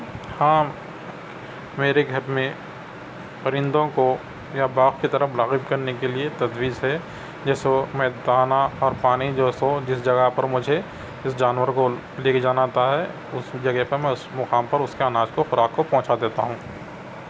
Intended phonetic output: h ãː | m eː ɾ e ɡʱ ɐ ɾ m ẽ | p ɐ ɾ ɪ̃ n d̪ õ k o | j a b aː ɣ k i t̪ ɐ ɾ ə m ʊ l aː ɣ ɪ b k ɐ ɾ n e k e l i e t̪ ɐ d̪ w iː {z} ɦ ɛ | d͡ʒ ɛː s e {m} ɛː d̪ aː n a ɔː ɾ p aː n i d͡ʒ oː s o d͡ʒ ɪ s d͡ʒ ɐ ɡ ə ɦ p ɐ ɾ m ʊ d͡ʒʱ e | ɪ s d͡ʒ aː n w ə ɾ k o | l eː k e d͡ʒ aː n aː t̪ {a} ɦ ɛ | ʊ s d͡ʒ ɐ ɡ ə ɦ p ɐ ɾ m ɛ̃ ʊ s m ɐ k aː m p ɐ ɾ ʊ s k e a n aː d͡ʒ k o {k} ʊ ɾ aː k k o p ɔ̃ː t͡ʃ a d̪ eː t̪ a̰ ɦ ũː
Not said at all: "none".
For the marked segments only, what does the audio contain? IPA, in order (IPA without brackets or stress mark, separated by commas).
z, m, a, x